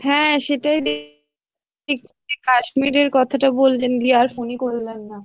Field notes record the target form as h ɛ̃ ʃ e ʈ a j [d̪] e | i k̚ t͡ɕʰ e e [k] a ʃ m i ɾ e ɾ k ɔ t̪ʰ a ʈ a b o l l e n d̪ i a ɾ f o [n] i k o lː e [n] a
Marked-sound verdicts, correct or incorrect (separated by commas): correct, correct, correct, incorrect